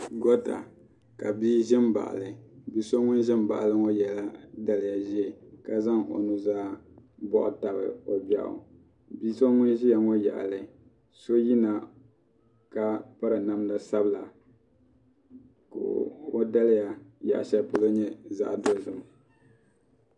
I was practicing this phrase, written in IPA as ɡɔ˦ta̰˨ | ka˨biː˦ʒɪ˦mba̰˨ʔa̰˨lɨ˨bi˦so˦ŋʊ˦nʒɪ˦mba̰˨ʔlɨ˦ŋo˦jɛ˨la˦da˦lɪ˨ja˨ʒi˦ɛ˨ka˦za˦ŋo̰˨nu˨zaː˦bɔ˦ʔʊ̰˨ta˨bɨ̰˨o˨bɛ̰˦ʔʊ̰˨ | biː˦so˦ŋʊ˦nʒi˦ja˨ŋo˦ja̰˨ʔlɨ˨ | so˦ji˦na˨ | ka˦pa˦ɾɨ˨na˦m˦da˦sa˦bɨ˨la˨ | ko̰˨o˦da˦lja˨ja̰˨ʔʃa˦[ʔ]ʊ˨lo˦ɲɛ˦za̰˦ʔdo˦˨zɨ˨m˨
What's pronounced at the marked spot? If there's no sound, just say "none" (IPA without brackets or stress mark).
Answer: p